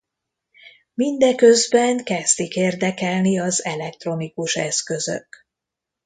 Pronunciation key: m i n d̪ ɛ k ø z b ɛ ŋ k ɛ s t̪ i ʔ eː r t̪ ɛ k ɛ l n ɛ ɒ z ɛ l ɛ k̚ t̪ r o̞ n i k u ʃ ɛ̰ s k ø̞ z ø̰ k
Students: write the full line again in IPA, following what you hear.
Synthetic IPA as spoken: m i n d̪ ɛ k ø z b ɛ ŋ k ɛ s t̪ i k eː r d̪ ɛ k ɛ l n i ɒ z ɛ l ɛ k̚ t̪ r o̞ n i k u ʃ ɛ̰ s k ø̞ z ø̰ k